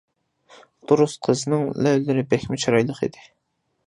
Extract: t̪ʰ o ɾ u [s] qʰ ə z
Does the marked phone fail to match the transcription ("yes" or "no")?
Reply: no